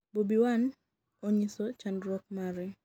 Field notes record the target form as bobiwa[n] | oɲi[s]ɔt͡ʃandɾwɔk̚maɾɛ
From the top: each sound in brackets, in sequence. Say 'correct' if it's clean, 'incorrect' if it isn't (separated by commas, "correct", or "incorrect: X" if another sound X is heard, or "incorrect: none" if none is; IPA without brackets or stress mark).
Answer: correct, correct